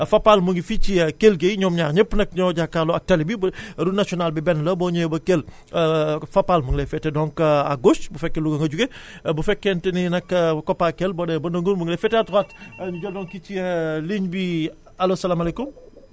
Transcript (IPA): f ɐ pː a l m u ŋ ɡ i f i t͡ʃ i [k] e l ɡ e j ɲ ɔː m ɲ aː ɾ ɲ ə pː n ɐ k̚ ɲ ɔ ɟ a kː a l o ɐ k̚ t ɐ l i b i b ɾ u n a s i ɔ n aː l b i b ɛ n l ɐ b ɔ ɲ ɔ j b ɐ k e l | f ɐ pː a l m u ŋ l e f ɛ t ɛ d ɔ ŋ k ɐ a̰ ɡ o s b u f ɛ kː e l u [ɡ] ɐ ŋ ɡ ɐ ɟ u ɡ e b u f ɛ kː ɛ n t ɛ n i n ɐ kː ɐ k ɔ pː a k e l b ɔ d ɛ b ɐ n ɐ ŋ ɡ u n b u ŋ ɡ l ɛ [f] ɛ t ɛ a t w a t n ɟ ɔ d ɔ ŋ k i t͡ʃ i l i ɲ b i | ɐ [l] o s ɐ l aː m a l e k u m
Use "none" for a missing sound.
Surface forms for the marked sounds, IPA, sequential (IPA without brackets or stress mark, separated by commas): k, ɡ, f, l